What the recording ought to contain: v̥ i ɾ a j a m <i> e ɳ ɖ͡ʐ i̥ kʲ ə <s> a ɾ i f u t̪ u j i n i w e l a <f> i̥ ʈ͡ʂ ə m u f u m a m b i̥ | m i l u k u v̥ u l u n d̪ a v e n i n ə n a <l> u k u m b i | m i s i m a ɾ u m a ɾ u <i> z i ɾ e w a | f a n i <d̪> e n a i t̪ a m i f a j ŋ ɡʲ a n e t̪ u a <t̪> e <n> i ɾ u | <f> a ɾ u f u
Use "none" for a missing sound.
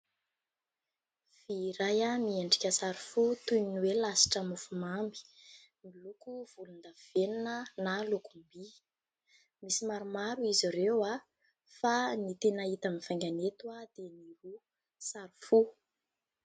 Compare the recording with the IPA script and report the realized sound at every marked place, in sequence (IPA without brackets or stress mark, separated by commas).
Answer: i, s, s, l, i, t̪, d̪, n, s